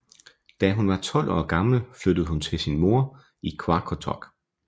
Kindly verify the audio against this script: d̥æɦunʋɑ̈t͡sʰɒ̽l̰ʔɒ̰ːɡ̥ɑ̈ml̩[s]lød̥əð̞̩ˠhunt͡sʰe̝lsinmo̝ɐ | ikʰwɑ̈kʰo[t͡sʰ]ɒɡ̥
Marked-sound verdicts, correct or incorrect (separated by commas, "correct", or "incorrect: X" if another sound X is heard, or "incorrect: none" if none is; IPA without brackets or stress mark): incorrect: f, correct